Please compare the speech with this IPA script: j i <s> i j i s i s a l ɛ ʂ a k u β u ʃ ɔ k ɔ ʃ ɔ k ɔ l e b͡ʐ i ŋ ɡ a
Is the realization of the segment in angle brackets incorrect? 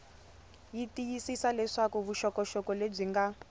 yes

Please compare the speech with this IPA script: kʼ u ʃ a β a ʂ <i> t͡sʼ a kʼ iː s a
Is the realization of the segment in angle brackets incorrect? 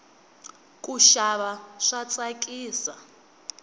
yes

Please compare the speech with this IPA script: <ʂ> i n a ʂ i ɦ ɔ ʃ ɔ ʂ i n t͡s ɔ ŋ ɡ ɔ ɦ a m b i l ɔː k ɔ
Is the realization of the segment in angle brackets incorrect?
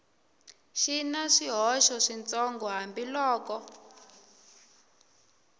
yes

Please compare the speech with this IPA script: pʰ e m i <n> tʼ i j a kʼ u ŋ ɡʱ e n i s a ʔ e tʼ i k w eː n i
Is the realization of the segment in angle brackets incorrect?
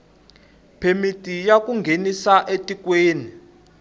yes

